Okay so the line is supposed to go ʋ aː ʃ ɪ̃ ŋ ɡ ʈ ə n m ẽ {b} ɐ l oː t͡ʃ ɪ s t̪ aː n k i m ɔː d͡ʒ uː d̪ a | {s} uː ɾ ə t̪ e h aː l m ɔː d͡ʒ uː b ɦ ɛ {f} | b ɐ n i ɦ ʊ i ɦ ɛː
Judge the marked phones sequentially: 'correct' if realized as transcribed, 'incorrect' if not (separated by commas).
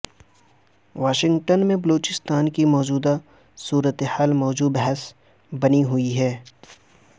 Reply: correct, correct, incorrect